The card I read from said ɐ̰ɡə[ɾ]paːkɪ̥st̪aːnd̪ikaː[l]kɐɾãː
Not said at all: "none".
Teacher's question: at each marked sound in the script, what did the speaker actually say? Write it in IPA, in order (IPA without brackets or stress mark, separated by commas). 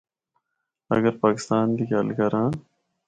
ɾ, l